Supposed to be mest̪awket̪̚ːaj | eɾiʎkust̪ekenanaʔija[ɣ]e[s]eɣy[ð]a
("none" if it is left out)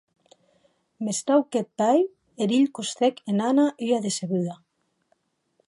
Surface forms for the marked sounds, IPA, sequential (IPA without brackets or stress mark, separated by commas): ð, s, ð